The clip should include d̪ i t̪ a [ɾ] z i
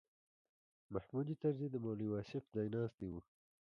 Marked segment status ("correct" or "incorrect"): correct